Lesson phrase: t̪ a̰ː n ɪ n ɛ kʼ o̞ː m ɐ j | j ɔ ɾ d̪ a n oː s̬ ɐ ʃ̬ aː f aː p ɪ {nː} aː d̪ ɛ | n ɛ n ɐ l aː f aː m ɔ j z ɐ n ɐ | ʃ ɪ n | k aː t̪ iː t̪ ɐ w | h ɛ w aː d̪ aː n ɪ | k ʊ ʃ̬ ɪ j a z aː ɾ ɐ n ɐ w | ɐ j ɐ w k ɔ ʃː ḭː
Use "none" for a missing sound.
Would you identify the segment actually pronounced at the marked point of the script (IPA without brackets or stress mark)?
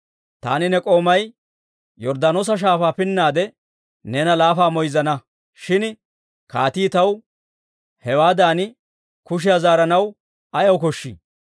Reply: nː